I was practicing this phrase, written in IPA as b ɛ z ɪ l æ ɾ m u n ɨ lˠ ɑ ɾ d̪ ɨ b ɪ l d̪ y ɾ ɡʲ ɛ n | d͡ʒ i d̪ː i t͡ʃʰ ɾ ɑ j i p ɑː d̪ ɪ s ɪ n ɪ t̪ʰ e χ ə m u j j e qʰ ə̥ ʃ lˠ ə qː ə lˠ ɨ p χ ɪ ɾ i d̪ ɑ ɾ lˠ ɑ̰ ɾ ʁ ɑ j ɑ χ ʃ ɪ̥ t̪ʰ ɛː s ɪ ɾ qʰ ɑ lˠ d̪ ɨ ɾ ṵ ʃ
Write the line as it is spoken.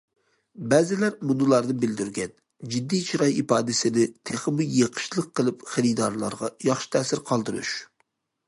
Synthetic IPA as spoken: b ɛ z ɪ l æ ɾ m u n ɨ lˠ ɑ ɾ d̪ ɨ b ɪ l d̪ y ɾ ɡʲ ɛ n | d͡ʒ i d̪ː i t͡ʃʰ ɾ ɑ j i p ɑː d̪ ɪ s ɪ n ɪ t̪ʰ e χ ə m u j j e qʰ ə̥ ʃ lˠ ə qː ə lˠ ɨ p χ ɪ ɾ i d̪ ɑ ɾ lˠ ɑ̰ ɾ ʁ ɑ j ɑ χ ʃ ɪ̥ t̪ʰ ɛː s ɪ ɾ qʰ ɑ lˠ d̪ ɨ ɾ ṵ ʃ